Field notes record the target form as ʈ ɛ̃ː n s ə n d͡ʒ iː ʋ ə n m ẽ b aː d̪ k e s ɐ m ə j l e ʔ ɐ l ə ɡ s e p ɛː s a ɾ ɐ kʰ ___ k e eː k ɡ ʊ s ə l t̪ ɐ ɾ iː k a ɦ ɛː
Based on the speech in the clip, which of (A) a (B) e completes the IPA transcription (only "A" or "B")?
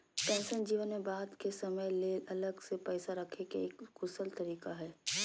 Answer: B